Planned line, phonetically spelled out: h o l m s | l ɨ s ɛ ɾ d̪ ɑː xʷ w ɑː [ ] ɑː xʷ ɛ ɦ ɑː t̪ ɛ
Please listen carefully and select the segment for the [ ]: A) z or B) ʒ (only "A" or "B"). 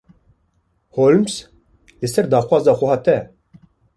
A